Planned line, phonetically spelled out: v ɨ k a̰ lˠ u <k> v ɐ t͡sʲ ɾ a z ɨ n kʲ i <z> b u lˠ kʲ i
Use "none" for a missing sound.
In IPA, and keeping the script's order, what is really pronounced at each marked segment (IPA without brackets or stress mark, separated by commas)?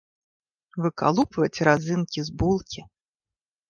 p, z